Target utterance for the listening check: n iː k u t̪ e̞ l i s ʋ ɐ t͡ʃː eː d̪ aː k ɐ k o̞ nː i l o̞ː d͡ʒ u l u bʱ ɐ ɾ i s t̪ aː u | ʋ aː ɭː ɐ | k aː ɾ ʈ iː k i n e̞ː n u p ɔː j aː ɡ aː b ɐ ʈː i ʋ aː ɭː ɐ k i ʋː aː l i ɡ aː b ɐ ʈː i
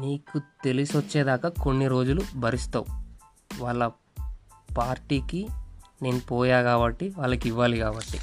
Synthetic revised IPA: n iː k u t̪ e̞ l i s ʋ ɐ t͡ʃː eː d̪ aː k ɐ k o̞ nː i ɾ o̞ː d͡ʒ u l u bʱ ɐ ɾ i s t̪ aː u | ʋ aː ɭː ɐ | p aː ɾ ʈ iː k i n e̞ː n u p ɔː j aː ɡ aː b ɐ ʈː i ʋ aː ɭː ɐ k i ʋː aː l i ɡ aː b ɐ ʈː i